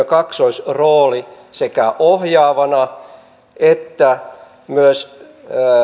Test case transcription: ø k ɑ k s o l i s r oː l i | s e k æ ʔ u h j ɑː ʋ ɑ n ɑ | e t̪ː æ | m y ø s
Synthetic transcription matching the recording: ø k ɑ k s o i s r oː l i | s e k æ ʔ o h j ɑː ʋ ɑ n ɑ | e t̪ː æ | m y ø s